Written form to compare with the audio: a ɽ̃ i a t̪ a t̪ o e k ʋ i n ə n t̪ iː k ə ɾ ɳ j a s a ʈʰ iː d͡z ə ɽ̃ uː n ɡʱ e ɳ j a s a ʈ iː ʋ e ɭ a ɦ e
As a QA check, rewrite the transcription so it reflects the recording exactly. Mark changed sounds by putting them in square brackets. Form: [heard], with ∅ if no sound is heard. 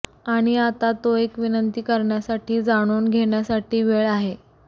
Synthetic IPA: a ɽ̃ i a t̪ a t̪ o e k ʋ i n ə n t̪ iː k ə ɾ ɳ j a s a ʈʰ iː d͡z [a] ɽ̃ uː n ɡʱ e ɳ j a s a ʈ iː ʋ e ɭ a ɦ e